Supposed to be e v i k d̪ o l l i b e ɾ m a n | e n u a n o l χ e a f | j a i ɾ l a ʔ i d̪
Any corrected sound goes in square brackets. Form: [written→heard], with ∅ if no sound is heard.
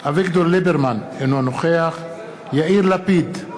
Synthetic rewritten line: [e→a] v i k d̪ o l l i b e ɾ m a n | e n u a n o [l→∅] χ e a [f→χ] | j a i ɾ l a [ʔ→p] i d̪